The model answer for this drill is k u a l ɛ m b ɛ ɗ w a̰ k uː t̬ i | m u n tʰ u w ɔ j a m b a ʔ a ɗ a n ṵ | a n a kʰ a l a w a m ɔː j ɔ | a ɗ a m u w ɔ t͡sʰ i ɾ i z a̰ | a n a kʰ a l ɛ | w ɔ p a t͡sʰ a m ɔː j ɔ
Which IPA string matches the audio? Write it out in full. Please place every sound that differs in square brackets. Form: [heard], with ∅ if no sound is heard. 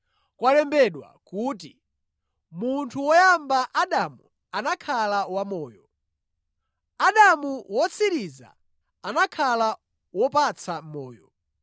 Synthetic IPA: k [w] a l ɛ m b ɛ ɗ w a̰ k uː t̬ i | m u n tʰ u w ɔ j a m b a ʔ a ɗ a [m] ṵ | a n a kʰ a l a w a m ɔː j ɔ | a ɗ a m u w ɔ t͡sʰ i ɾ i z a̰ | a n a kʰ a l [a] | w ɔ p a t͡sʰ a m ɔː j ɔ